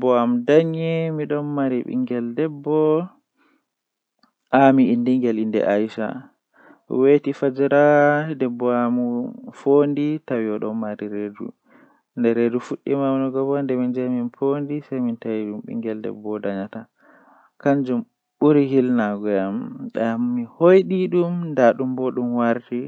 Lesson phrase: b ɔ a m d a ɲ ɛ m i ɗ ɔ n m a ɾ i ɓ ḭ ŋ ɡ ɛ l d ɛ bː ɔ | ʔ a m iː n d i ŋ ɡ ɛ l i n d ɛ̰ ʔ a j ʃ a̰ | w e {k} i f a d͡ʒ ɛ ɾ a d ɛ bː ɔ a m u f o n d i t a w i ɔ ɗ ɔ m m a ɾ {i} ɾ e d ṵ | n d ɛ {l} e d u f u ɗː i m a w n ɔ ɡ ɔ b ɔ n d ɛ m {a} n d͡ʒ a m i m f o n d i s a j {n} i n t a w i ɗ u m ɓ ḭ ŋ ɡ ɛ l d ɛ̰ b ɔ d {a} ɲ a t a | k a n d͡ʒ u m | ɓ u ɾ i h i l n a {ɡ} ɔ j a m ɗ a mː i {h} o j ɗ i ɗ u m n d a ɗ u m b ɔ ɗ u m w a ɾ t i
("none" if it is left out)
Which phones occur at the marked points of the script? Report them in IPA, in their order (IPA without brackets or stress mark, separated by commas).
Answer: t, i, ɾ, i, m, a, ɡ, h